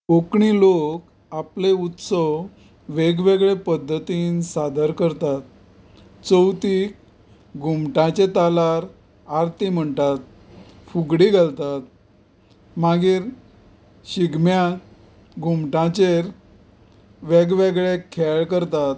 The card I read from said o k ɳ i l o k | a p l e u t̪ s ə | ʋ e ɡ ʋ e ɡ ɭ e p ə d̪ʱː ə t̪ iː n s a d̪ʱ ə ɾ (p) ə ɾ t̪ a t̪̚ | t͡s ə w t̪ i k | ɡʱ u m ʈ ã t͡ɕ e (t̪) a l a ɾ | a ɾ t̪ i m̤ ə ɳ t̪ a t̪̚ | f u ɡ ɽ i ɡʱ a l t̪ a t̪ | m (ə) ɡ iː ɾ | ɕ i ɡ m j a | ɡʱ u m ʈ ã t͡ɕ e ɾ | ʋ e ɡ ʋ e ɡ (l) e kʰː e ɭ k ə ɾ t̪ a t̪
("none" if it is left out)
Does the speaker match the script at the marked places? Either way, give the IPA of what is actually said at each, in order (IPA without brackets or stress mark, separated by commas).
k, t̪, a, ɭ